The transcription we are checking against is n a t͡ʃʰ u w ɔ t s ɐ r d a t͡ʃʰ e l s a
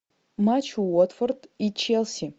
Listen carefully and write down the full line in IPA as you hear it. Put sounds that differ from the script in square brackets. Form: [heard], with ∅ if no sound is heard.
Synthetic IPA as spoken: [m] a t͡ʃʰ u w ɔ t [f] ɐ r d [i] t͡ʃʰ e l s [i]